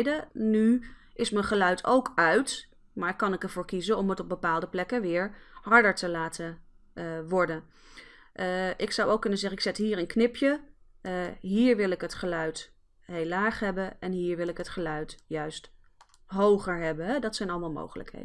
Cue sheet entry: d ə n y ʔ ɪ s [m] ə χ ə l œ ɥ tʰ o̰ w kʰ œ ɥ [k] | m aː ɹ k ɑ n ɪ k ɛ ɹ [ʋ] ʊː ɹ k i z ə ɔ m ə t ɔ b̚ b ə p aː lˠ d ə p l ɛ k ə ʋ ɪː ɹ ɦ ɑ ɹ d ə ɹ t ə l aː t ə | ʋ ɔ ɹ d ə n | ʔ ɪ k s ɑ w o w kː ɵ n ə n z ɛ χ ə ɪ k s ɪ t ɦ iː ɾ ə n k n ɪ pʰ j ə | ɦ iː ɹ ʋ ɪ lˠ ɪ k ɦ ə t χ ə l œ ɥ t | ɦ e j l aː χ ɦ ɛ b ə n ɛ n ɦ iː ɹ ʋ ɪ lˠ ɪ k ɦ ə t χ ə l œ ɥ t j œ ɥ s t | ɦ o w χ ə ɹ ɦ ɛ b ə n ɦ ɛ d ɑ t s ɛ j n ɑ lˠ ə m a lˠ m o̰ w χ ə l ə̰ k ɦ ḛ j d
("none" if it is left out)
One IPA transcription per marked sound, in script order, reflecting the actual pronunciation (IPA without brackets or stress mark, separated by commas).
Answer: m, t, v